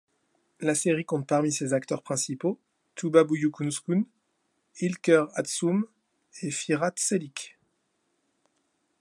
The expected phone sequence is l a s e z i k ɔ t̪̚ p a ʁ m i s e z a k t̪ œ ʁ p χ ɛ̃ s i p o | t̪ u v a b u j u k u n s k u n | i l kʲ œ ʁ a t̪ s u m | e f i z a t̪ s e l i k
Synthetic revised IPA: l a s e ʁ i k ɔ̃ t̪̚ p a ʁ m i s e z a k t̪ œ ʁ p χ ɛ̃ s i p o | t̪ u b a b u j u k u n s k u n | i l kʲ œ ʁ a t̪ s u m | e f i ʁ a t̪ s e l i k